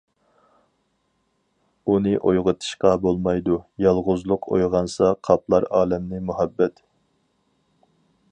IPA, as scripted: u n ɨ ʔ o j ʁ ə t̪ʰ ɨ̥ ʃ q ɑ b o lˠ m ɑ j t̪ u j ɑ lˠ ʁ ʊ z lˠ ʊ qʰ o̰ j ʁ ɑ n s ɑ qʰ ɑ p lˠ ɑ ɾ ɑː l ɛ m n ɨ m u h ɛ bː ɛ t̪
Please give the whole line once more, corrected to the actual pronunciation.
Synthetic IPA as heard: u n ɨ ʔ o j ʁ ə t̪ʰ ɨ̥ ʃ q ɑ b o lˠ m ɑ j d̪ u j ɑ lˠ ʁ ʊ z lˠ ʊ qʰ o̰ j ʁ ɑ n s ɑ qʰ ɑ p lˠ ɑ ɾ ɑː l ɛ m n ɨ m u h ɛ bː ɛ t̪